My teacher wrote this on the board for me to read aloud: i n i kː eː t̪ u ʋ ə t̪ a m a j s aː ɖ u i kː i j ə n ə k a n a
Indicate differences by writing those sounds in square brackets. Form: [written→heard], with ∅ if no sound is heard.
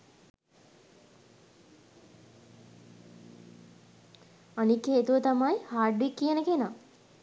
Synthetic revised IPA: [i→a] n i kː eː t̪ u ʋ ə t̪ a m a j [s→h] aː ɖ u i kː i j ə n ə k [a→e] n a

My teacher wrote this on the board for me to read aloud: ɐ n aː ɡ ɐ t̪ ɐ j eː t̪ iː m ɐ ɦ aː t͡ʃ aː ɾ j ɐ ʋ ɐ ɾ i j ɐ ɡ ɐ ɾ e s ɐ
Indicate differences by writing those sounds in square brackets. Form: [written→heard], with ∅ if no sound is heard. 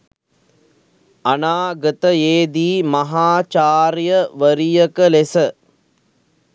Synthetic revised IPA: ɐ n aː ɡ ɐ t̪ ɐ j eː [t̪→d̪] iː m ɐ ɦ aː t͡ʃ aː ɾ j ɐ ʋ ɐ ɾ i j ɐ [ɡ→k] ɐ [ɾ→l] e s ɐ

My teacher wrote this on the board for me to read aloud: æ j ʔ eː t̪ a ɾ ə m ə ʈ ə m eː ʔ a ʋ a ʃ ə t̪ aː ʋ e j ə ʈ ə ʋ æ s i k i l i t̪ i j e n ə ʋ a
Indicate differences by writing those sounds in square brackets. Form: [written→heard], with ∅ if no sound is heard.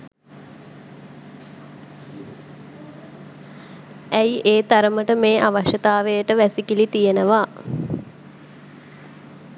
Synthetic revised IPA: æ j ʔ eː t̪ a ɾ ə m ə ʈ ə m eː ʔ a ʋ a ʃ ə t̪ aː ʋ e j ə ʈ ə ʋ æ s i k i l i t̪ i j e n ə ʋ a

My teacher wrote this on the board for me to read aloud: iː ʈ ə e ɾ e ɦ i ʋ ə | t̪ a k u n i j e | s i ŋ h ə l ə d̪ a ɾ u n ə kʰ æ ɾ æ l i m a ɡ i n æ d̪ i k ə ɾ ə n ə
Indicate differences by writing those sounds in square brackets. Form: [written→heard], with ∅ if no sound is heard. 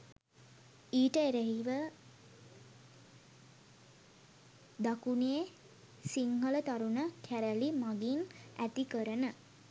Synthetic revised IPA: iː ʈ ə e ɾ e ɦ i ʋ ə | [t̪→d̪] a k u n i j e | s i ŋ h ə l ə [d̪→t̪] a ɾ u n ə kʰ æ ɾ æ l i m a ɡ i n æ [d̪→t̪] i k ə ɾ ə n ə

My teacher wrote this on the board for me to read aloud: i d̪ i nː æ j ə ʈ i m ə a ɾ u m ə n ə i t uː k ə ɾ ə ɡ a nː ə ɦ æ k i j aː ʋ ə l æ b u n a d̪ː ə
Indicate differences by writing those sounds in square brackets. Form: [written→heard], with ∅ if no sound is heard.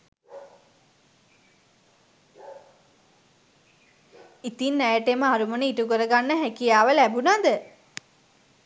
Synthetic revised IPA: i [d̪→t̪] i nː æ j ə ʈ [i→e] m ə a ɾ u m ə n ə i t [uː→u] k ə ɾ ə ɡ a nː ə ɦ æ k i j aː ʋ ə l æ b u n a [d̪ː→d̪] ə

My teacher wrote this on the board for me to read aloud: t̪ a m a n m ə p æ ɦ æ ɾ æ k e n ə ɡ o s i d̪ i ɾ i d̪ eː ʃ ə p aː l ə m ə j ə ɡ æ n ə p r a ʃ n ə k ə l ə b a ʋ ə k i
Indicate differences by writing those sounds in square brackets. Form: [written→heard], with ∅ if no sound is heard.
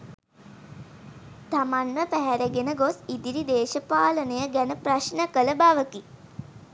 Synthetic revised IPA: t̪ a m a n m ə p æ ɦ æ ɾ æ [k→ɡ] e n ə ɡ o s i d̪ i ɾ i d̪ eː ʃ ə p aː l ə [m→n] ə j ə ɡ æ n ə p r a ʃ n ə k ə l ə b a ʋ ə k i

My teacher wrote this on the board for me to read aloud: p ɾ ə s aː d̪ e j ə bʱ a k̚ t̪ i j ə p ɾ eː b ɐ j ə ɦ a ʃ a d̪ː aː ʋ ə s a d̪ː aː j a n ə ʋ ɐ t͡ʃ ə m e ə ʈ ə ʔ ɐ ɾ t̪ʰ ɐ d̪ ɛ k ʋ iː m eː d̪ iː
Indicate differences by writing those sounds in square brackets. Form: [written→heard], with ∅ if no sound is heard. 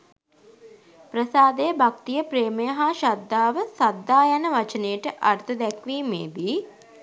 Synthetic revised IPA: p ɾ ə s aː d̪ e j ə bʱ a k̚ t̪ i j ə p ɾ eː [b→m] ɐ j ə ɦ a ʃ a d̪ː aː ʋ ə s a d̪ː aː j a n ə ʋ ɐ t͡ʃ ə [m→n] e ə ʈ ə ʔ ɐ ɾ t̪ʰ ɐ d̪ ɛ k ʋ iː m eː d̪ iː

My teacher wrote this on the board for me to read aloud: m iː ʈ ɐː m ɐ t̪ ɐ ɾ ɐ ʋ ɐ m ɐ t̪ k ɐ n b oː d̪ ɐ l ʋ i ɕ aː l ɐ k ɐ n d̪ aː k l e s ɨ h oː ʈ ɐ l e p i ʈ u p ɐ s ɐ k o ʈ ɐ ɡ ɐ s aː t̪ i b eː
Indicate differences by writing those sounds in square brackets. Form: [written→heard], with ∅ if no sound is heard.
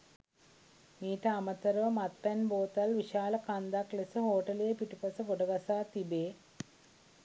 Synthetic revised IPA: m iː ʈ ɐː m ɐ t̪ ɐ ɾ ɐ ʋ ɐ m ɐ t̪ [k→p] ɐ n b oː [d̪→t̪] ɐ l ʋ i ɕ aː l ɐ k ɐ n d̪ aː k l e s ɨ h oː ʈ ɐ l e p i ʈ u p ɐ s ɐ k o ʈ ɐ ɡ ɐ s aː t̪ i b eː

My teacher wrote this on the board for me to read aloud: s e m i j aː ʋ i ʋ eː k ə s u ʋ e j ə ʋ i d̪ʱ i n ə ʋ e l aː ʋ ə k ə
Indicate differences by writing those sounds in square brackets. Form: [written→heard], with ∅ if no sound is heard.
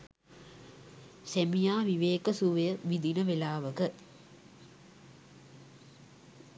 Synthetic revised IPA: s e m i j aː ʋ i ʋ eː k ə s u ʋ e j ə ʋ i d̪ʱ i n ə ʋ e l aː ʋ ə k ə

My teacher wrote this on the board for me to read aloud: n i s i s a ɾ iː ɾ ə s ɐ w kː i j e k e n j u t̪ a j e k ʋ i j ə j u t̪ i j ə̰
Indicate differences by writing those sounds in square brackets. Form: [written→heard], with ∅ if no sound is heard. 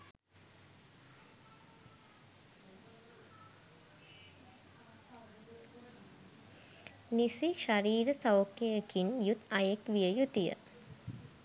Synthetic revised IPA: n i s i [s→ʃ] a ɾ iː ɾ ə s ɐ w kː [i→e] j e k [e→i] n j u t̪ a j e k ʋ i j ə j u t̪ i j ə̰

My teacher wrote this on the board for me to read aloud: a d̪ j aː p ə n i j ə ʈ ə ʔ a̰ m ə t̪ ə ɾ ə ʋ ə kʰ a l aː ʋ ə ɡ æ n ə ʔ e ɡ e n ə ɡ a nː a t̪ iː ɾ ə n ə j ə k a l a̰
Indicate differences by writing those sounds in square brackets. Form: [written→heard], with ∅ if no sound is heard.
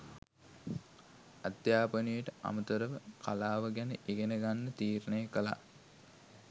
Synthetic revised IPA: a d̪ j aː p ə n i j ə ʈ ə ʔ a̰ m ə t̪ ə ɾ ə ʋ ə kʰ a l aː ʋ ə ɡ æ n ə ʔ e ɡ e n ə ɡ a nː [a→ə] t̪ iː ɾ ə n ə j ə k [a→ə] l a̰

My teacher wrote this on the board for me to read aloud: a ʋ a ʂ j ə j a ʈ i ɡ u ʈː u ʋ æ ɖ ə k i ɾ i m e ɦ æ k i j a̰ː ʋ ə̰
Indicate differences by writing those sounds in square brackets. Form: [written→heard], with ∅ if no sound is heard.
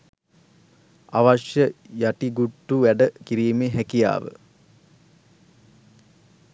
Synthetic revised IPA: a ʋ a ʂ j ə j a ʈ i ɡ u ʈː u ʋ æ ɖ ə k i ɾ [i→iː] m e ɦ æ k i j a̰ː ʋ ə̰

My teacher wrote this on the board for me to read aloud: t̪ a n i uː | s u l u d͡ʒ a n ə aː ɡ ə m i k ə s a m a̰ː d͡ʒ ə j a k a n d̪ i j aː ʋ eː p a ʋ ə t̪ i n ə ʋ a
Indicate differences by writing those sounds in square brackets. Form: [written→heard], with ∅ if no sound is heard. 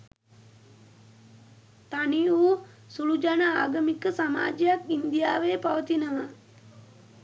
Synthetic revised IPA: t̪ a n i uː | s u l u d͡ʒ a n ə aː ɡ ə m i k ə s a m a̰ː d͡ʒ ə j a k [a→i] n d̪ i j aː ʋ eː p a ʋ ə t̪ i n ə ʋ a

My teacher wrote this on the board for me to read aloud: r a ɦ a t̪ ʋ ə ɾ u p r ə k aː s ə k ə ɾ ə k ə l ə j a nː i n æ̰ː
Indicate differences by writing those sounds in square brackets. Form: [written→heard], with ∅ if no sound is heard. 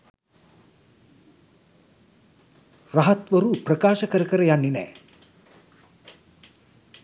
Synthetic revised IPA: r a ɦ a t̪ ʋ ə ɾ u p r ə k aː [s→ʃ] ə k ə ɾ ə k ə [l→ɾ] ə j a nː i n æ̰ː

